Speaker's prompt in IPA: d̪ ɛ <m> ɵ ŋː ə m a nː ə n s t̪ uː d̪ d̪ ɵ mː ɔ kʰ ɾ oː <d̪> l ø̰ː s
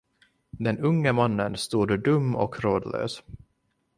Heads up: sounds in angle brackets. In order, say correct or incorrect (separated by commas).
incorrect, correct